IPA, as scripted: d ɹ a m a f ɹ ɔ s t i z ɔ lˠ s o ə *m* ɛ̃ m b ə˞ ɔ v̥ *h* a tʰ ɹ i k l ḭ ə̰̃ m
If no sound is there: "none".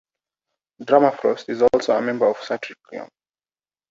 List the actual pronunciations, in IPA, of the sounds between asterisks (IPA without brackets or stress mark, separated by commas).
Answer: m, s